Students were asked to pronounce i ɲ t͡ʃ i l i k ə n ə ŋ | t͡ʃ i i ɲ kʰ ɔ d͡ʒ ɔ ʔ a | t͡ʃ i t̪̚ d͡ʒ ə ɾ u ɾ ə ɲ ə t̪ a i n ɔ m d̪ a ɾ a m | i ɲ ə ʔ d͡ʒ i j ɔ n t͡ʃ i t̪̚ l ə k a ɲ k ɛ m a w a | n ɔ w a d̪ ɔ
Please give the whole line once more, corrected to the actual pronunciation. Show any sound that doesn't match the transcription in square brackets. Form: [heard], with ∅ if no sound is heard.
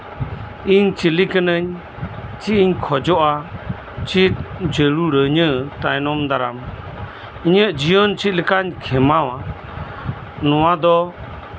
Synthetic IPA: i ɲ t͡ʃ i l i k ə n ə [ɲ] | t͡ʃ i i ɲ kʰ ɔ d͡ʒ ɔ ʔ a | t͡ʃ i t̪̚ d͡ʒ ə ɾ u ɾ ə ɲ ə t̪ a [j] n ɔ m d̪ a ɾ a m | i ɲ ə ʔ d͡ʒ i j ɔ n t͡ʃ i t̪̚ l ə k a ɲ [kʰ] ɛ m a w a | n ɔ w a d̪ ɔ